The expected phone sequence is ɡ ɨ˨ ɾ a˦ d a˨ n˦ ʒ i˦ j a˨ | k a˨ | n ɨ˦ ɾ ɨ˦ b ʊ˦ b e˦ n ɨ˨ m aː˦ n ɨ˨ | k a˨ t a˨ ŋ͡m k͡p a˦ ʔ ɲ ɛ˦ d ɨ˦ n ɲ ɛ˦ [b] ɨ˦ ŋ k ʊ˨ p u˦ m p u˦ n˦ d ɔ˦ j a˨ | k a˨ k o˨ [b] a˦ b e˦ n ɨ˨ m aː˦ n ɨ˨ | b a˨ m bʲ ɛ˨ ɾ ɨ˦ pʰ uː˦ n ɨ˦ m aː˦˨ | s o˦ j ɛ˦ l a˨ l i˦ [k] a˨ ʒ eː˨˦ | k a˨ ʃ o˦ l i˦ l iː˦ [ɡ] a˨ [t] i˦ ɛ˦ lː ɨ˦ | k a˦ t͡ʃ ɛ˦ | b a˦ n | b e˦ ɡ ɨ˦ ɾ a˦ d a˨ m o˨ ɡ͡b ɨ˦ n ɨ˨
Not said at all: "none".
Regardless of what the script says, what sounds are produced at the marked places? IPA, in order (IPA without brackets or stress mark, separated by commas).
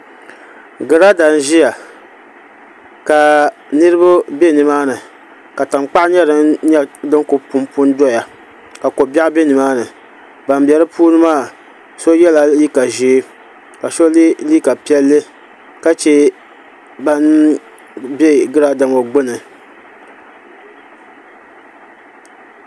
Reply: d, b, k, k, p